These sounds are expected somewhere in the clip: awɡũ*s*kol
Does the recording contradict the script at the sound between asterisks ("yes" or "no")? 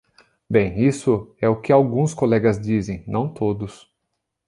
no